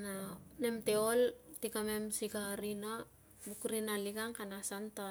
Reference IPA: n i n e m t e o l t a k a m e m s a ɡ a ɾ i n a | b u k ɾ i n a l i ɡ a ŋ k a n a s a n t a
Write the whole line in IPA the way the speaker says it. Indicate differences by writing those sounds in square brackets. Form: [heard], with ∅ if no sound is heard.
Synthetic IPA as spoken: n [a] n e m t e o l t [i] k a m e m s [i] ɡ a ɾ i n a | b u k ɾ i n a l i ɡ a ŋ k a n a s a n t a

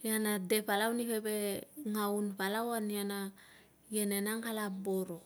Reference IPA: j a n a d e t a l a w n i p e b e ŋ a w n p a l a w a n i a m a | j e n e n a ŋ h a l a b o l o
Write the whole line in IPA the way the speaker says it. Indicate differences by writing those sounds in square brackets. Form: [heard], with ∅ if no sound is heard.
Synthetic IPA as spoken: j a n a d e [p] a l a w n i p e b e ŋ a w n p a l a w a n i a [n] a | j e n e n a ŋ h a l a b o [ɾ] o

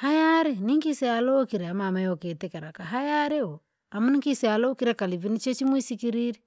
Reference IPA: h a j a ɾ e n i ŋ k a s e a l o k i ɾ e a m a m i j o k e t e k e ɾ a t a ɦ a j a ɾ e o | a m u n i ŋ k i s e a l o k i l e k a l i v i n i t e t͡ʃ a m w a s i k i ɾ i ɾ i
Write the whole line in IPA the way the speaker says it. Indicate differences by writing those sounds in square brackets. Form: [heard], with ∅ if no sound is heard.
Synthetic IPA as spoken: h a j a ɾ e n i ŋ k [i] s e a l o k i ɾ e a m a m [a] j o k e t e k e ɾ a [k] a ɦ a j a ɾ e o | a m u n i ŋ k i s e a l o k i [ɾ] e k a l i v i n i [t͡ʃ] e t͡ʃ [i] m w [i] s i k i ɾ i ɾ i

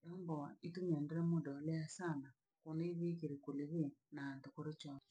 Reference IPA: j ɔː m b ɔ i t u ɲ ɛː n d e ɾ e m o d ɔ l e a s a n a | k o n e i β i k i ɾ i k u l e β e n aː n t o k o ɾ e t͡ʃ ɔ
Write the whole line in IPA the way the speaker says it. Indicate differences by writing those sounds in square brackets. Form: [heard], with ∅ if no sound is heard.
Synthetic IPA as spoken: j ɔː m b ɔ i t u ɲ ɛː n d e ɾ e m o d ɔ l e a s a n a | k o n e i β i k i ɾ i k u l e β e n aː n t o k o ɾ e t͡ʃ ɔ

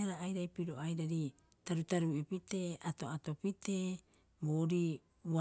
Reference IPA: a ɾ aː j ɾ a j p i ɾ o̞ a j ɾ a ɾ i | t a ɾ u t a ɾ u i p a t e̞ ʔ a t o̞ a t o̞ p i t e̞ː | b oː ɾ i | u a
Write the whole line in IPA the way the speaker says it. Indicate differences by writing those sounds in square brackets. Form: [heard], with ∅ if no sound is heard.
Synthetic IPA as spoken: a ɾ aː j ɾ a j p i ɾ o̞ a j ɾ a ɾ i | t a ɾ u t a ɾ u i p [i] t e̞ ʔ a t o̞ a t o̞ p i t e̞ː | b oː ɾ i | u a

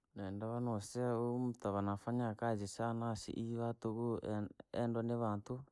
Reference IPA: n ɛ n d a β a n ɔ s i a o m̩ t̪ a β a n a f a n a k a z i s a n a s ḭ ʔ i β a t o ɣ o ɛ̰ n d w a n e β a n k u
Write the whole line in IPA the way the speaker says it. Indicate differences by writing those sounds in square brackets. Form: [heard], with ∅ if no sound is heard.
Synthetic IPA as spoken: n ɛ n d a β a n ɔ s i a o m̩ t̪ a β a n a f a [ɲ] a k a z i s a n a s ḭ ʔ i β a t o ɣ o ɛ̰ n d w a n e β a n [t] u

